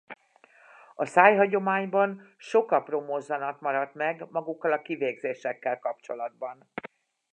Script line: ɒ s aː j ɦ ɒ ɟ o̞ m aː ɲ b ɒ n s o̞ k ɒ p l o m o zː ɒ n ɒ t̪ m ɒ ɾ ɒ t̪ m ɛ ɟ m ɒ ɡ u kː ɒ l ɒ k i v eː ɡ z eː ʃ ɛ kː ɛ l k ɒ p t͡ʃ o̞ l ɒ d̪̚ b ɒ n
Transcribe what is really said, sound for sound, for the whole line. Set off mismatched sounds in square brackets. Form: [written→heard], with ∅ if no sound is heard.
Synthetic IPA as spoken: ɒ s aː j ɦ ɒ ɟ o̞ m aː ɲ b ɒ n [s→ʃ] o̞ k ɒ p [l→r] o m o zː ɒ n ɒ t̪ m ɒ ɾ ɒ t̪ m ɛ [ɟ→ɡ] m ɒ ɡ u kː ɒ l ɒ k i v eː ɡ z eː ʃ ɛ kː ɛ l k ɒ p t͡ʃ o̞ l ɒ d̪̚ b ɒ n